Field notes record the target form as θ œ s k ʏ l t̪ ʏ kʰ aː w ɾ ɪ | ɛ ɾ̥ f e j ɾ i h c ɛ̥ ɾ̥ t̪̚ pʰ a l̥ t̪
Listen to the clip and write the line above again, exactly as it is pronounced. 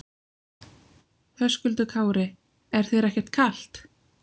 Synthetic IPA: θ œ s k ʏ l t̪ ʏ kʰ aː w ɾ ɪ | ɛ ɾ̥ θ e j ɾ ɛ h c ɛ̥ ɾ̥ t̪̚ kʰ a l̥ t̪